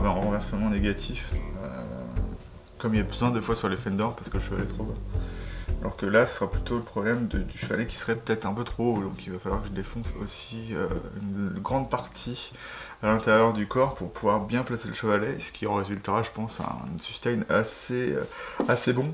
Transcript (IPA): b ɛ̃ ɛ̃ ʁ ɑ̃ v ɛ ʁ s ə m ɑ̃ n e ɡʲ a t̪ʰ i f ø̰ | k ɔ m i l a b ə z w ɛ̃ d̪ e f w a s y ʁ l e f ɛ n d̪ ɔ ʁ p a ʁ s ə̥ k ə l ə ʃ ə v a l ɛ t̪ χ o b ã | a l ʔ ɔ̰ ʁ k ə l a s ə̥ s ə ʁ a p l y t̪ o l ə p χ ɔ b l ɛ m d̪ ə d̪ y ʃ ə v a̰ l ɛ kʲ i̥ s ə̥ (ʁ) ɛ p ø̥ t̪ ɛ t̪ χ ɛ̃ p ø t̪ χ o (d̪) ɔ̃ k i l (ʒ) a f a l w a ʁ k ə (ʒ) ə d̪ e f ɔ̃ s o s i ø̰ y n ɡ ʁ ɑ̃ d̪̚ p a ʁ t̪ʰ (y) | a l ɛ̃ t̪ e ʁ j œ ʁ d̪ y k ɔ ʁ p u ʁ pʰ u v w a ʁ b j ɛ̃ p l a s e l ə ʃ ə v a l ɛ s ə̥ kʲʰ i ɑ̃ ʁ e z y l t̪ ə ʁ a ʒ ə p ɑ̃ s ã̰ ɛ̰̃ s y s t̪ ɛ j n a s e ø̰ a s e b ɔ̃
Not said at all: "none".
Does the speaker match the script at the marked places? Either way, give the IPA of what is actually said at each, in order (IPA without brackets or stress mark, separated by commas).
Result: ʁ, d̪, v, ʒ, i